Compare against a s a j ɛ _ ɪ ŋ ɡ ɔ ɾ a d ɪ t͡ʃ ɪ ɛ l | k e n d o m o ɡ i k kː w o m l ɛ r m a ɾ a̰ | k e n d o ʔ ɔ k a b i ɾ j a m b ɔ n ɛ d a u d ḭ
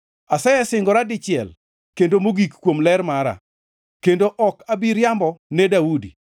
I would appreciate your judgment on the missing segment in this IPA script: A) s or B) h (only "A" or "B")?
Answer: A